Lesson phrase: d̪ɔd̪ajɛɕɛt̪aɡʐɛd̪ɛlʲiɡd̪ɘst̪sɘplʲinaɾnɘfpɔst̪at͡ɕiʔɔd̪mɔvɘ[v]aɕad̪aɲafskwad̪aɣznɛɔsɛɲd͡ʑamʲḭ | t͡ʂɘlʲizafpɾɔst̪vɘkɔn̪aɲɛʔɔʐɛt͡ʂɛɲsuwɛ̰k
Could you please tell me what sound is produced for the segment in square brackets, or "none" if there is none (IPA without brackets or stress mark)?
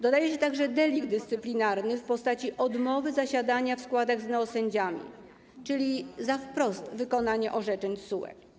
z